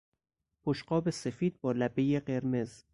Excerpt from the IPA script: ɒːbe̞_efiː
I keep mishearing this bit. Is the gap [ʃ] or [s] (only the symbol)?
s